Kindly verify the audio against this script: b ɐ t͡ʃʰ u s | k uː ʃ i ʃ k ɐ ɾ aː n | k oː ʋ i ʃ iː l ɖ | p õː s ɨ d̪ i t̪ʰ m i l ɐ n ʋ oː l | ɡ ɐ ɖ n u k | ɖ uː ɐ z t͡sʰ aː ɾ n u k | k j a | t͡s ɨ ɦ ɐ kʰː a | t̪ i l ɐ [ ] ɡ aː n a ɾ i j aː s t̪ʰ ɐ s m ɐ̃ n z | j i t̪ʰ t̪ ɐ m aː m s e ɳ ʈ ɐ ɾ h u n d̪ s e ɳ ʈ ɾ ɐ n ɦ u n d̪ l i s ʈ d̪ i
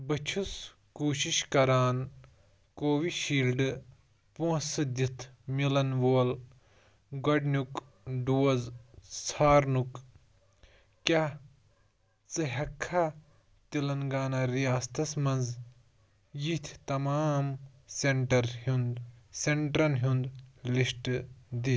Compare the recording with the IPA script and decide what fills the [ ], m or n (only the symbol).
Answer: n